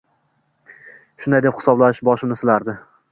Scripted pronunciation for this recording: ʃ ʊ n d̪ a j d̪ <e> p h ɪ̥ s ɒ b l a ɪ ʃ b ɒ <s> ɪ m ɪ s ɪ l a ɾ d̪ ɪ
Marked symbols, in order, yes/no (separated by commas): yes, no